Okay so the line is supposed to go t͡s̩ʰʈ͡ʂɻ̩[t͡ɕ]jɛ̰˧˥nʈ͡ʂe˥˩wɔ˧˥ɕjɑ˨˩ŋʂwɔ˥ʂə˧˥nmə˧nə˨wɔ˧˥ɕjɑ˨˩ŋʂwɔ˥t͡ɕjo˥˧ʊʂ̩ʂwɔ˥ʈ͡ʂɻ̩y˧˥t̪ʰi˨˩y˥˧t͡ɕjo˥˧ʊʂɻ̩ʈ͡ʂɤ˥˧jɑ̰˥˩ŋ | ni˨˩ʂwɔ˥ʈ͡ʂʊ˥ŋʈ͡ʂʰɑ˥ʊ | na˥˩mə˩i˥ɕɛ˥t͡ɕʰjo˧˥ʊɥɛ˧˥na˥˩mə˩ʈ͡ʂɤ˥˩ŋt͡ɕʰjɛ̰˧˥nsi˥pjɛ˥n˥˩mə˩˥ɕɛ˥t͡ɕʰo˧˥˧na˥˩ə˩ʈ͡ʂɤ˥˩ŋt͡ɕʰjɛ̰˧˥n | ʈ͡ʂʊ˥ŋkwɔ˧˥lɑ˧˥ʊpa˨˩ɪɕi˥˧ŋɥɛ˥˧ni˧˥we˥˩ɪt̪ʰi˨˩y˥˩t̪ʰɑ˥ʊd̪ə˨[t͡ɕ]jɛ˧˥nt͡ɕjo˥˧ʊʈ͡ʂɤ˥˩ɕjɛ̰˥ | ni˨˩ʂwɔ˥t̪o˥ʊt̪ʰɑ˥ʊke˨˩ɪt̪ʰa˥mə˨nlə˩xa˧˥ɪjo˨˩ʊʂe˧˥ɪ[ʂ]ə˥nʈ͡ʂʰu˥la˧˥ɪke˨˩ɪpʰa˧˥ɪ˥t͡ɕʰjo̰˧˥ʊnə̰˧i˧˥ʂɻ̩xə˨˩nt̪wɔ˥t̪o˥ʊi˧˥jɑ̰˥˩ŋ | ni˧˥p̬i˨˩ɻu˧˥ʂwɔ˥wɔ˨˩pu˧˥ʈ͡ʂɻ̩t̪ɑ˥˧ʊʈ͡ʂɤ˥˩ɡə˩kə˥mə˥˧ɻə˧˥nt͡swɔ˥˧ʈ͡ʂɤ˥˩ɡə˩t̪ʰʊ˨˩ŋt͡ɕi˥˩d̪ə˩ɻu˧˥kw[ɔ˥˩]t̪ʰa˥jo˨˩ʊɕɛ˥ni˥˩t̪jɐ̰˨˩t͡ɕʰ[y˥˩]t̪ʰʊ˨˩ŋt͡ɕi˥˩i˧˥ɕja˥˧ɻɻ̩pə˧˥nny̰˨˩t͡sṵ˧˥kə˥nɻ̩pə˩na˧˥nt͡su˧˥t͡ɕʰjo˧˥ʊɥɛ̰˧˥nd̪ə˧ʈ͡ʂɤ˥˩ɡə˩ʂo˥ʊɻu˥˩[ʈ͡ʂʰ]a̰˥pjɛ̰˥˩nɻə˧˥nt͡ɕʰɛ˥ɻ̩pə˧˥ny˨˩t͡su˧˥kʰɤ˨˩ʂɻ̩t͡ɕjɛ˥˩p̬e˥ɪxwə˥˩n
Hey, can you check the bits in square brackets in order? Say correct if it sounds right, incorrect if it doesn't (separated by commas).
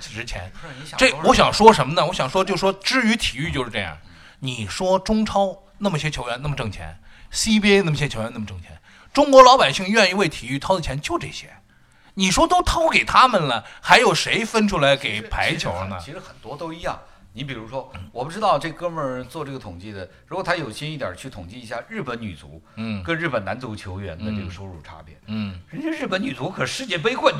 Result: incorrect, incorrect, incorrect, incorrect, correct, correct